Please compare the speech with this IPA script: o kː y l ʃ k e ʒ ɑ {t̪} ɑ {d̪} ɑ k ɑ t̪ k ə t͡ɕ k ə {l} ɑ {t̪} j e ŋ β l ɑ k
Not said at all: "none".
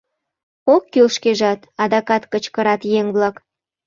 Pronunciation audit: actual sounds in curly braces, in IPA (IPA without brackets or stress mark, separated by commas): t̪, d̪, ɾ, t̪